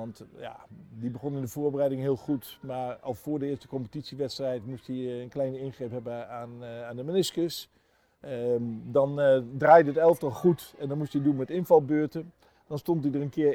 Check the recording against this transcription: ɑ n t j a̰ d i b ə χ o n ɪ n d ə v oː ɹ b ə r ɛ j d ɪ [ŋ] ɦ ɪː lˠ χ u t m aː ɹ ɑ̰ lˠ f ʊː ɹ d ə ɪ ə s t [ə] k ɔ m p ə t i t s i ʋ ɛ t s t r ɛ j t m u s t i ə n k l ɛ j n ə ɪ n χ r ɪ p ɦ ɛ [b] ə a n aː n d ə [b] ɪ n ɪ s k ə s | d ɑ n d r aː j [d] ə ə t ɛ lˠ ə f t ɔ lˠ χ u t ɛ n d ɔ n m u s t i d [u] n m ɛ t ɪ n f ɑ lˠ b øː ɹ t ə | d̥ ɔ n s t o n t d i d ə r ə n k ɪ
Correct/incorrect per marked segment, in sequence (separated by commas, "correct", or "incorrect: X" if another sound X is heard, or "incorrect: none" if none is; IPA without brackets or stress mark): correct, correct, correct, incorrect: m, correct, correct